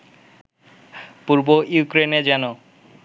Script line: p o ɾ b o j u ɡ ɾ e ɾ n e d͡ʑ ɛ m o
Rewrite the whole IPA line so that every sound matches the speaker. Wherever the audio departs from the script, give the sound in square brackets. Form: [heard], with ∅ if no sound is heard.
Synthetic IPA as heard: p [u] ɾ b o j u [k] ɾ e [∅] n e d͡ʑ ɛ [n] o